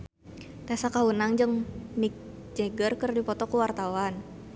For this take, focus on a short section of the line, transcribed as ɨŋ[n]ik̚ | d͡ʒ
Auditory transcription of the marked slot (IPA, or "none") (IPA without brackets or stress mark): n